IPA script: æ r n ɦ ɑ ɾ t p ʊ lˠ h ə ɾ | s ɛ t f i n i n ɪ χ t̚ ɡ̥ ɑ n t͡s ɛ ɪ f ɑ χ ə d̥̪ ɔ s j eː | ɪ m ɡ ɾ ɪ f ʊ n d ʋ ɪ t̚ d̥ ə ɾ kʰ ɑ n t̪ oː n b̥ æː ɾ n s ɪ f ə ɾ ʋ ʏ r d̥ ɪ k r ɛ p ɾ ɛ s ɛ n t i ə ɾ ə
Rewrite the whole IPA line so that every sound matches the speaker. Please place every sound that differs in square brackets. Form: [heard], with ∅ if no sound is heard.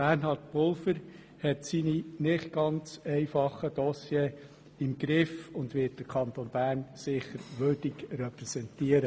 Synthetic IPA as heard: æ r n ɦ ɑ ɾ t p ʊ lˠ [f] ə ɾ | [h] ɛ t [s] i n i n ɪ χ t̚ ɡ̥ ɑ n t͡s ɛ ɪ f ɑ χ ə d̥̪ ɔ s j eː | ɪ m ɡ ɾ ɪ f ʊ n d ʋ ɪ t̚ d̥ ə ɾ kʰ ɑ n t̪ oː n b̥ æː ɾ n s ɪ [χ] ə ɾ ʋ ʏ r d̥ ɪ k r ɛ p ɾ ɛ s ɛ n t i ə ɾ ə